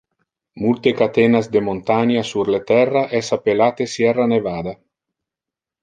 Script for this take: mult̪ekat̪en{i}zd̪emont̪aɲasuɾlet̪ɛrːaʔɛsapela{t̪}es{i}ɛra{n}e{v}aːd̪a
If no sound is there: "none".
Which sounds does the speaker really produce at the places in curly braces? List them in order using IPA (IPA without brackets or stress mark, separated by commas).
a, t̪, j, n, v